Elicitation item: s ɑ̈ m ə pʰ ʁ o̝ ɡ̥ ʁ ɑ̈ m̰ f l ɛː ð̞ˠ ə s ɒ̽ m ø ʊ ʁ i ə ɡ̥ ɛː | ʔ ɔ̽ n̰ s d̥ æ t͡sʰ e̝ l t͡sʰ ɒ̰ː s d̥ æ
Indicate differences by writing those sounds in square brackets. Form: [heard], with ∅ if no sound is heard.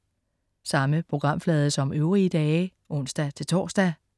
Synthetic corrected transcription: s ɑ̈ m ə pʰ ʁ o̝ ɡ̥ ʁ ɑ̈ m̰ f l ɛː ð̞ˠ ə s ɒ̽ m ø ʊ ʁ i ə [d̥] ɛː | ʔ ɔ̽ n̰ s d̥ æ t͡sʰ e̝ l t͡sʰ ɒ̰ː s d̥ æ